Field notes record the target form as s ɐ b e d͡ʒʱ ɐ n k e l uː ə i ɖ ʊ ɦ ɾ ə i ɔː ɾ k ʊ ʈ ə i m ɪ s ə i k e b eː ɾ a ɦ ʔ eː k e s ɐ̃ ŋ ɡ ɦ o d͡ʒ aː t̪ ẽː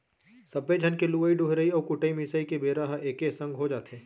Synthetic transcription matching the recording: s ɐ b e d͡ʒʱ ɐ n k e l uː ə i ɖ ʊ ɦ ɾ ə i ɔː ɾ k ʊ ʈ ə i m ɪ s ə i k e b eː ɾ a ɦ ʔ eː k e s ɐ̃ ŋ ɡ ɦ o d͡ʒ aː t̪ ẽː